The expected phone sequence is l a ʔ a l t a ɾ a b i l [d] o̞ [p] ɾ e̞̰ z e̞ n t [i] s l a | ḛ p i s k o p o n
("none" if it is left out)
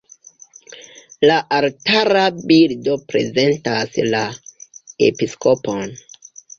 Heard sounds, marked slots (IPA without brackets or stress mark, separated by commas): d, p, a